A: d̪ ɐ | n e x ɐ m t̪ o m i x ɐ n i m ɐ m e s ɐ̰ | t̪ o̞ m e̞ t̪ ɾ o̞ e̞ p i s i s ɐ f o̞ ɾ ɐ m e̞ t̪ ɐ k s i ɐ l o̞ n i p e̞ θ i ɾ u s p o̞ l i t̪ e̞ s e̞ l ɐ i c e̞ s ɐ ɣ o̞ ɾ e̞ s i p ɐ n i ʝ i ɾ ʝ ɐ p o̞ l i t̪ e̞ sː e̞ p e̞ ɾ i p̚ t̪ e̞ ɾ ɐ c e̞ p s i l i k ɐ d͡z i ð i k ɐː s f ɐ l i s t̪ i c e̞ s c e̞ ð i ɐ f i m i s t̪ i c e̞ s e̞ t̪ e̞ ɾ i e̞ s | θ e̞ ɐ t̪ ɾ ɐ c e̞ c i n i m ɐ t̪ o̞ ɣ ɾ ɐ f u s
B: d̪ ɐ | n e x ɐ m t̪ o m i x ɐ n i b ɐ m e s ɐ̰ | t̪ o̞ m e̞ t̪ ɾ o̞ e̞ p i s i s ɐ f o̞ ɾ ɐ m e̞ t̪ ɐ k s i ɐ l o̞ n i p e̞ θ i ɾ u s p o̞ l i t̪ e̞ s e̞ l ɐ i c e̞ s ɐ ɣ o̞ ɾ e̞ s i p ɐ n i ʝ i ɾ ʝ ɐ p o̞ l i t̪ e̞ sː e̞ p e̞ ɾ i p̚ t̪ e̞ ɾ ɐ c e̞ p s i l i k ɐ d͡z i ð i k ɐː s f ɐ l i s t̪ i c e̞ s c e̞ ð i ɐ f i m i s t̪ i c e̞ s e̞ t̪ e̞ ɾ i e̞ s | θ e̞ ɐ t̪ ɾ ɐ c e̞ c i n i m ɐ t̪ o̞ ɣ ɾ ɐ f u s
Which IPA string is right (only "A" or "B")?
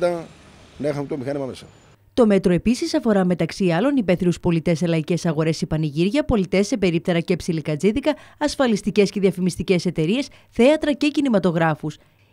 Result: A